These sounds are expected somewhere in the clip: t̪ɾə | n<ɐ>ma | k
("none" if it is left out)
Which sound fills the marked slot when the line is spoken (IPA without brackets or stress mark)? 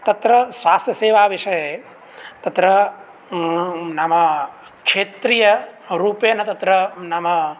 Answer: a